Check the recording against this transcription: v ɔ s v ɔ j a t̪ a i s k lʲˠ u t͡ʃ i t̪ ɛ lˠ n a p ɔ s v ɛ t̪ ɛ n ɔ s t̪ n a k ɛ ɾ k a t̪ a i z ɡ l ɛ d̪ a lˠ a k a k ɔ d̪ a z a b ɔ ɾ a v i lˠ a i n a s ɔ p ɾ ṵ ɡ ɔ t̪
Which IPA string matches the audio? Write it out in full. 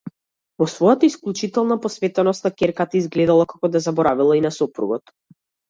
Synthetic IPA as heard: v ɔ s v ɔ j a t̪ a i s k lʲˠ u t͡ʃ i t̪ ɛ lˠ n a p ɔ s v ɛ t̪ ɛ n ɔ s t̪ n a k ɛ ɾ k a t̪ a i z ɡ l ɛ d̪ a lˠ a k a k ɔ d̪ a z a b ɔ ɾ a v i lˠ a i n a s ɔ p ɾ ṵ ɡ ɔ t̪

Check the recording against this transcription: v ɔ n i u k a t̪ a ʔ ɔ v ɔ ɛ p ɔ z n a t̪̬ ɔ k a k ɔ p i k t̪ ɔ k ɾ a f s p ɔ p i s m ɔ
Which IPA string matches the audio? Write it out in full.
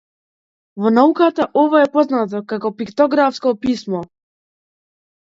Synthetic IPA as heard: v ɔ n a u k a t̪ a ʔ ɔ v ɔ ɛ p ɔ z n a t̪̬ ɔ k a k ɔ p i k t̪ ɔ ɡ ɾ a f s k ɔ p i s m ɔ

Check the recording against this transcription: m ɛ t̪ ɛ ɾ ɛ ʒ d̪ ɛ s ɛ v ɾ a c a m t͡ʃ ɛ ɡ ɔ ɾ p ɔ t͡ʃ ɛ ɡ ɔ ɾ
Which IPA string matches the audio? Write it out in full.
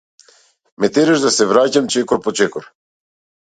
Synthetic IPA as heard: m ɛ t̪ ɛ ɾ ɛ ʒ d̪ a s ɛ v ɾ a c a m t͡ʃ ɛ k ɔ ɾ p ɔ t͡ʃ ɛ k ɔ ɾ

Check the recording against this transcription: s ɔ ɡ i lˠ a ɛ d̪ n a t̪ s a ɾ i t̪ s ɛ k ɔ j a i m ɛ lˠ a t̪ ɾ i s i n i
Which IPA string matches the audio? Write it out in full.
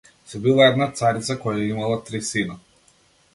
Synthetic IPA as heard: s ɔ b i lˠ a ɛ d̪ n a t̪ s a ɾ i t̪ s a k ɔ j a i m a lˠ a t̪ ɾ i s i n a

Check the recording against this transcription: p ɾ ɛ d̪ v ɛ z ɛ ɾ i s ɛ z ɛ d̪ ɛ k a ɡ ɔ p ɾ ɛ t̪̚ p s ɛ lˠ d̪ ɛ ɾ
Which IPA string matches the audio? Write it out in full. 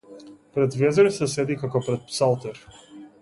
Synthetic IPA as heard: p ɾ ɛ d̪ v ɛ z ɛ ɾ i s ɛ s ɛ d̪ i k a k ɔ p ɾ ɛ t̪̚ p s a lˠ t̪ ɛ ɾ

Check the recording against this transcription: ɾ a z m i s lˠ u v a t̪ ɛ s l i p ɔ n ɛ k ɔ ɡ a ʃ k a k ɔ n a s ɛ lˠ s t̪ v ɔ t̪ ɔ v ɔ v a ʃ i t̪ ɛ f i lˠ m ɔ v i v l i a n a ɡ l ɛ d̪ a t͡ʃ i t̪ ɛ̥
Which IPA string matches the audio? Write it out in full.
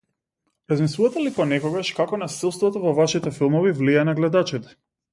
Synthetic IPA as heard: ɾ a z m i s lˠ u v a t̪ ɛ l i p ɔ n ɛ k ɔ ɡ a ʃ k a k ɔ n a s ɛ lˠ s t̪ v ɔ t̪ ɔ v ɔ v a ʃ i t̪ ɛ f i lˠ m ɔ v i v l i a n a ɡ l ɛ d̪ a t͡ʃ i t̪ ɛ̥

